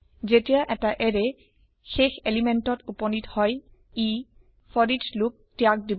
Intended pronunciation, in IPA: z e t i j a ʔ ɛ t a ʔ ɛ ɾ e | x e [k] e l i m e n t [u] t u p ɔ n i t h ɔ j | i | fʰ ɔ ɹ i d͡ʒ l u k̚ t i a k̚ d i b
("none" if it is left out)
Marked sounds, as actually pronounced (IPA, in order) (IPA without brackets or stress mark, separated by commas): x, ɔ